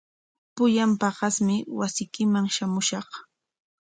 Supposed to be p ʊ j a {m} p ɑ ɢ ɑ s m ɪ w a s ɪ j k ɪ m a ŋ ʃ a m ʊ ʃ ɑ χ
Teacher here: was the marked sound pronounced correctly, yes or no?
yes